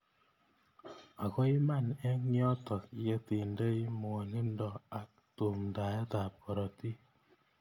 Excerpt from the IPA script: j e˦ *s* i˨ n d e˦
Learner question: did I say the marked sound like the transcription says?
no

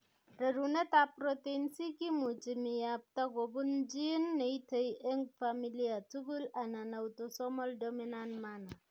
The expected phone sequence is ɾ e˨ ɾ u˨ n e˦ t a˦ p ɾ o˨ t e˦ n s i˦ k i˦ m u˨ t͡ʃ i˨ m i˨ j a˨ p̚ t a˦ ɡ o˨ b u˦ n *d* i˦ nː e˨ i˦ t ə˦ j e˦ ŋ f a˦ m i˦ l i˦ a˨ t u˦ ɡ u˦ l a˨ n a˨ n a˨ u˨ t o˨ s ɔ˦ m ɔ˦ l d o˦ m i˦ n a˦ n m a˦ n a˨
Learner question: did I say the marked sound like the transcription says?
no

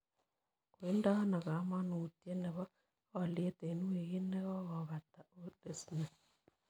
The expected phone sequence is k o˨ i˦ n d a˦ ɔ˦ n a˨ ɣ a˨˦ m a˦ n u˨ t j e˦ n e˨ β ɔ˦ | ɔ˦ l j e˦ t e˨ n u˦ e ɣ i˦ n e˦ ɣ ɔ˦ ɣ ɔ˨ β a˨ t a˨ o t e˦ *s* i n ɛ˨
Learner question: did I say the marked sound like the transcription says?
yes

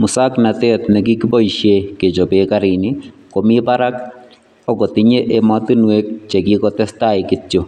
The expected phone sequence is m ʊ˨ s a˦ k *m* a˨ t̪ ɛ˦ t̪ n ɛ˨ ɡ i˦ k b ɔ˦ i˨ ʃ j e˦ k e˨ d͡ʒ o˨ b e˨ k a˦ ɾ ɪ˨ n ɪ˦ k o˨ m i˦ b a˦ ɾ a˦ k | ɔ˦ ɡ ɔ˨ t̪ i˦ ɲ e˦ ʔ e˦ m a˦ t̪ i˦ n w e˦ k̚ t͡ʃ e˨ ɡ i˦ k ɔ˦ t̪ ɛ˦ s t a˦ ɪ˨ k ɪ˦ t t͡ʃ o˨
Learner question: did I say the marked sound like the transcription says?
no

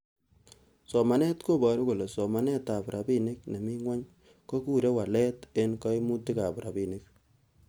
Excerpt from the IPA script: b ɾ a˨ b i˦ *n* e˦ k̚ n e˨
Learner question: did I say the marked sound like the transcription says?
yes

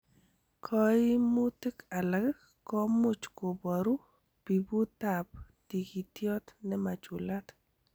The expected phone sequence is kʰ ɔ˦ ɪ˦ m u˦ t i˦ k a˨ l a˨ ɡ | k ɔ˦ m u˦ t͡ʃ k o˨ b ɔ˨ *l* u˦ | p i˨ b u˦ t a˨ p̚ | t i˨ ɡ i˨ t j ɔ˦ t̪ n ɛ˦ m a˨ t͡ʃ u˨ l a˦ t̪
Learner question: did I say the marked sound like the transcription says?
no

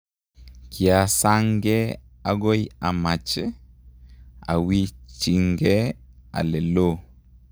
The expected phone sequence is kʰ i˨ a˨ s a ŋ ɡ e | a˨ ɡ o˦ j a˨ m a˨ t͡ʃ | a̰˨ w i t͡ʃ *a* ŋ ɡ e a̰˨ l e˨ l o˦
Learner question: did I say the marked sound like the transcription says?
no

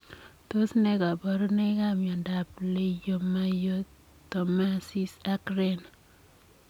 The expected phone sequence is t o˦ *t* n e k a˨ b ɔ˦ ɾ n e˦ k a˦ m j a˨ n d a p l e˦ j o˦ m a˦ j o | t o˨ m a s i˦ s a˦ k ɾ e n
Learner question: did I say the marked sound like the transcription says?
no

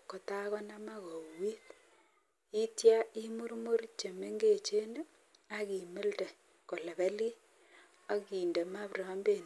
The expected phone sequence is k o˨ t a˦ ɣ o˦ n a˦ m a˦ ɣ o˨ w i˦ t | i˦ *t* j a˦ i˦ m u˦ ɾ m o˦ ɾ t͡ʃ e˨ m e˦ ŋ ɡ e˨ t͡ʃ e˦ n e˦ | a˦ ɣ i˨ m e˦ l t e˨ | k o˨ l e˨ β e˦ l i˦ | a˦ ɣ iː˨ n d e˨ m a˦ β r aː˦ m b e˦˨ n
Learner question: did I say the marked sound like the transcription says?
yes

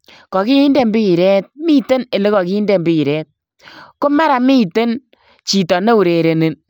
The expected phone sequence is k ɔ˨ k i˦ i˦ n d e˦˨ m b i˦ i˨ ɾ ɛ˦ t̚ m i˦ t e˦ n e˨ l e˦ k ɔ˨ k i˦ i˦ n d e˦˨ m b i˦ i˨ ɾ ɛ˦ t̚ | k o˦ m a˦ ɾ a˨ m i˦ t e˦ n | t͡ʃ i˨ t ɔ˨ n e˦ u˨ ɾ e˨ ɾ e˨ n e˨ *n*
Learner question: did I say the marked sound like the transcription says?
yes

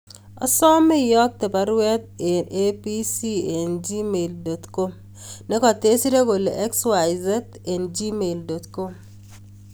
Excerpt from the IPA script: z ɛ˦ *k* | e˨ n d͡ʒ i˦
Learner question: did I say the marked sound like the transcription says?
no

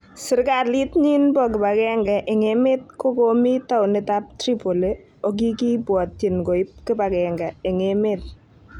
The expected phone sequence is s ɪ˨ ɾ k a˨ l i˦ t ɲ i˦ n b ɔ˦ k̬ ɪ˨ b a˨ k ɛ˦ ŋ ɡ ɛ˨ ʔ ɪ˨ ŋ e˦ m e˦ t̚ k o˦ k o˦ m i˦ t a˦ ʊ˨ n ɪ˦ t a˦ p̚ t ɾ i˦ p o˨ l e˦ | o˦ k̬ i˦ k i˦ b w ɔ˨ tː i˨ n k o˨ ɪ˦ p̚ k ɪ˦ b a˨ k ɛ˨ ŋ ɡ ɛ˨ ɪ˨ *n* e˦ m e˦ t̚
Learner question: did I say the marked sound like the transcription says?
no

